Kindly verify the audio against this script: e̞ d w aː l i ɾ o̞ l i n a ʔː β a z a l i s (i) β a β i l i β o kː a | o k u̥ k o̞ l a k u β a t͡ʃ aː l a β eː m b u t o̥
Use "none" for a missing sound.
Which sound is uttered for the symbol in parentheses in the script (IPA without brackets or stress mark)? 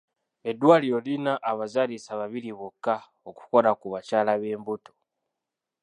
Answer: a